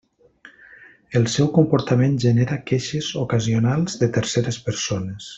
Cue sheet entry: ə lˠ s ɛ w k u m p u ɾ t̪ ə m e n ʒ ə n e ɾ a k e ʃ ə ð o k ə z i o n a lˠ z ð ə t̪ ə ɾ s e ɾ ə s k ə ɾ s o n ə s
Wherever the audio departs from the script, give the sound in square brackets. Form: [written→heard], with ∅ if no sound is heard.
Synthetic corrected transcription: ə lˠ s ɛ w k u m p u ɾ t̪ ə m e n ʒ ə n e ɾ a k e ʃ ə [ð→z] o k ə z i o n a lˠ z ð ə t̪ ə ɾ s e ɾ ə s [k→p] ə ɾ s o n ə s

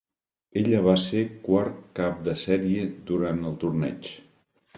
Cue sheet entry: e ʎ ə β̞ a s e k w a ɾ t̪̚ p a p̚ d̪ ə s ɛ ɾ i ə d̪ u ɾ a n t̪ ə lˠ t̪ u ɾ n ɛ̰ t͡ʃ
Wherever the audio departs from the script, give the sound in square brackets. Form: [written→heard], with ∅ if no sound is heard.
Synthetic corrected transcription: e ʎ ə β̞ a s e k w a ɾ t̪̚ [p→k] a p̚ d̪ ə s ɛ ɾ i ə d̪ u ɾ a n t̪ ə lˠ t̪ u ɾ n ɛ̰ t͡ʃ

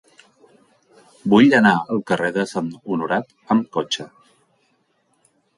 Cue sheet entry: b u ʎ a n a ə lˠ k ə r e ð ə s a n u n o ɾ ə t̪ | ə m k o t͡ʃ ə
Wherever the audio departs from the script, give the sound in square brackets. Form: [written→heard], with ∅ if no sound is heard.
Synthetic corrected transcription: b u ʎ [a→ə] n a ə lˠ k ə r e ð ə s a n u n [o→u] ɾ [ə→a] t̪ | ə m k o t͡ʃ ə

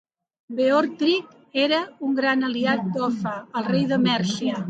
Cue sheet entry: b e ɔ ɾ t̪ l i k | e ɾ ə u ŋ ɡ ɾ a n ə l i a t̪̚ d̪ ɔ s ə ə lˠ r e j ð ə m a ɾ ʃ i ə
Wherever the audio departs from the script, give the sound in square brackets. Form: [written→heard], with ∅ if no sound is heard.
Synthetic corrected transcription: b e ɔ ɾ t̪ [l→ɾ] i k | e ɾ ə u ŋ ɡ ɾ a n ə l i a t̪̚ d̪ ɔ [s→f] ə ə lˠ r e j ð ə m [a→ɛ] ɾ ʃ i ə

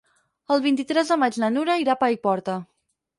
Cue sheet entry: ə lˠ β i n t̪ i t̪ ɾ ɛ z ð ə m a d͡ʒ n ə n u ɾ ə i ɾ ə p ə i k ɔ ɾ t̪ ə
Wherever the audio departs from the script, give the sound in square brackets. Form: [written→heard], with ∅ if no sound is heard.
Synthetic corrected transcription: ə lˠ β i n t̪ i t̪ ɾ ɛ z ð ə m a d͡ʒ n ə n u ɾ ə i ɾ [ə→a] p [ə→a] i [k→p] ɔ ɾ t̪ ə

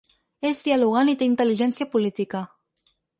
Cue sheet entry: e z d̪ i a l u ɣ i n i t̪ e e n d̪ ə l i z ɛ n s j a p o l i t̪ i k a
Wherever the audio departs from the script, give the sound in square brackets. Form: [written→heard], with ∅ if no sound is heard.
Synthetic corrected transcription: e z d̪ i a l u ɣ [i→a] n i t̪ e [e→i] n [d̪→t̪] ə l i [z→ʒ] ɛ n s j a p [o→u] l i t̪ i k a

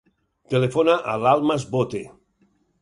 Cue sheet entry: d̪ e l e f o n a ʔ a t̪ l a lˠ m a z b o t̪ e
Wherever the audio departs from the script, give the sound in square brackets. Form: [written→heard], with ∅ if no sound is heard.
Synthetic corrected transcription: [d̪→t̪] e l e f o n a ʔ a [t̪→∅] l a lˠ m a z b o t̪ e

